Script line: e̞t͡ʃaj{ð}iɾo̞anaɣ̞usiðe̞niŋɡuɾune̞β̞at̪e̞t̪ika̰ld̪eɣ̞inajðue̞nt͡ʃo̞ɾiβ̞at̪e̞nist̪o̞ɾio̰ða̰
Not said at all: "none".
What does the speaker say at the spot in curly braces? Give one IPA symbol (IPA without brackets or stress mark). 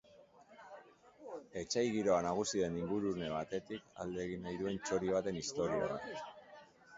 ɣ